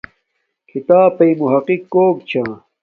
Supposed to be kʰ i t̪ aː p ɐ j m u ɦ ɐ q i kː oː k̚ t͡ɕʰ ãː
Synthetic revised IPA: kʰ i t̪ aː p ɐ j m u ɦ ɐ q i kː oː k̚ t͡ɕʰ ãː